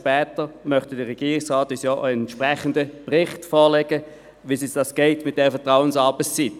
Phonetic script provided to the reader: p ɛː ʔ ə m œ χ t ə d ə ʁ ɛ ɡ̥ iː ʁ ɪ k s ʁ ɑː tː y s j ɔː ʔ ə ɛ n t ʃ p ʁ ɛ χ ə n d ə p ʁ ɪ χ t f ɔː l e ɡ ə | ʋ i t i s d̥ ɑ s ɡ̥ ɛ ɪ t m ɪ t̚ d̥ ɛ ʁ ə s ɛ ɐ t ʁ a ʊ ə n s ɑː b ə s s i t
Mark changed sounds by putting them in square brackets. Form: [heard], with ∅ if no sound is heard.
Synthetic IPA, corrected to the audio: p ɛː [t] ə m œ χ t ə d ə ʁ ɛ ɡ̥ iː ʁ ɪ k s ʁ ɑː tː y s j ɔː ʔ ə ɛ n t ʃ p ʁ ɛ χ ə n d ə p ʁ ɪ χ t f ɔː l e ɡ ə | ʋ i [s] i s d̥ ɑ s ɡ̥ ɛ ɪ t m ɪ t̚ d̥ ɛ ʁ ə [f] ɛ ɐ t ʁ a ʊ ə n s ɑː b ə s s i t